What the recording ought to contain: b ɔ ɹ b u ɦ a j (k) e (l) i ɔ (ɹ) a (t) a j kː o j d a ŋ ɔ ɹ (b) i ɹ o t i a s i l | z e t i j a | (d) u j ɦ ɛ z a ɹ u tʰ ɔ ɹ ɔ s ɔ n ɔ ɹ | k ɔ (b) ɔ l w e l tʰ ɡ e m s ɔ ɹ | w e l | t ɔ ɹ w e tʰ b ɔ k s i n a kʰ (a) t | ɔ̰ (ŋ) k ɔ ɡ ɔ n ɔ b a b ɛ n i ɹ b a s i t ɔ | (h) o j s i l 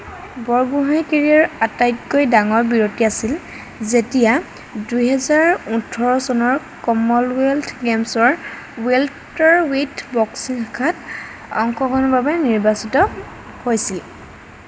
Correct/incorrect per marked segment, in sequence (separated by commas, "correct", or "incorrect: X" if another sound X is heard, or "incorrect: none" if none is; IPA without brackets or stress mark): correct, incorrect: ɹ, correct, correct, correct, correct, incorrect: m, correct, correct, correct